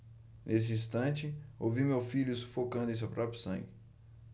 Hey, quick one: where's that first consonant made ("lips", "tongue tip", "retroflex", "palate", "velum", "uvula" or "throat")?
tongue tip